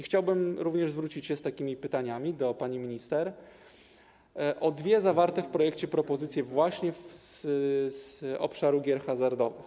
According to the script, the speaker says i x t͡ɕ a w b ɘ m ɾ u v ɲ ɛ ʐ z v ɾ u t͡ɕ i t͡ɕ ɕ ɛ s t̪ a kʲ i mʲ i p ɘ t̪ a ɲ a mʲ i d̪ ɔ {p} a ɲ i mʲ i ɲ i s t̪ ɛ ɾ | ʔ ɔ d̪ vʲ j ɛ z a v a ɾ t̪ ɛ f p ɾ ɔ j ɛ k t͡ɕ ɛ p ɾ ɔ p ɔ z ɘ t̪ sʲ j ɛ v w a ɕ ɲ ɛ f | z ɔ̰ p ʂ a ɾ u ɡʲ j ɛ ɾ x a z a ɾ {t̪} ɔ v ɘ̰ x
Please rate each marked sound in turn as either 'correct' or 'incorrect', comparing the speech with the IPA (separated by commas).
correct, incorrect